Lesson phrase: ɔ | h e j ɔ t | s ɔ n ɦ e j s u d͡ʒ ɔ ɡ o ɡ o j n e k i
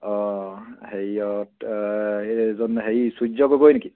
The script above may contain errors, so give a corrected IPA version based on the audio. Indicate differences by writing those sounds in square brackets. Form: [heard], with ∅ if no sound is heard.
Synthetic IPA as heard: ɔ | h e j ɔ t | [z] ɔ n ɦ e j s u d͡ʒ ɔ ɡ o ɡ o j n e k i